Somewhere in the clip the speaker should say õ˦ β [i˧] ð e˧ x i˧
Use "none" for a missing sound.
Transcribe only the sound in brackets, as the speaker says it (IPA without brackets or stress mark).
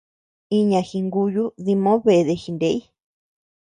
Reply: e˧